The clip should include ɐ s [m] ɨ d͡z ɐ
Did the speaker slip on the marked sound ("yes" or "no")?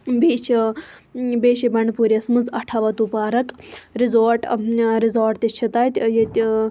no